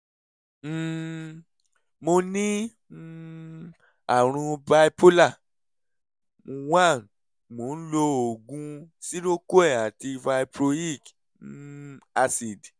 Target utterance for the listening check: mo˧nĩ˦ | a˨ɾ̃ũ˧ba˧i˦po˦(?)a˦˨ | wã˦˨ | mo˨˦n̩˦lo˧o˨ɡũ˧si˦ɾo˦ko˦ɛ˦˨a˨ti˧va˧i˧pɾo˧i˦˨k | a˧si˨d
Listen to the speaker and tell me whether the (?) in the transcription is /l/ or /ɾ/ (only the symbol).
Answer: l